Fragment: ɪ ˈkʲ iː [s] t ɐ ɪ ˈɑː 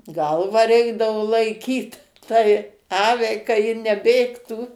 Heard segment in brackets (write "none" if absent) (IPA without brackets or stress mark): t